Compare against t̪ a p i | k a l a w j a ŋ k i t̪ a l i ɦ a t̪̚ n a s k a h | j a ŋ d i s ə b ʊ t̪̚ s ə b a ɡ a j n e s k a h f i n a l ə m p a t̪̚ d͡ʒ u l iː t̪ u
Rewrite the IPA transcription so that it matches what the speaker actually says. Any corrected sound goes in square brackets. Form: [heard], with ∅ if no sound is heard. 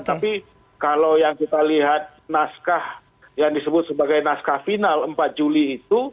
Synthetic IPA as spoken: t̪ a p i | k a l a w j a ŋ k i t̪ a l i ɦ a t̪̚ n a s k a h | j a ŋ d i s ə b ʊ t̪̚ s ə b a ɡ a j n [a] s k a h f i n a l ə m p a t̪̚ d͡ʒ u l iː t̪ u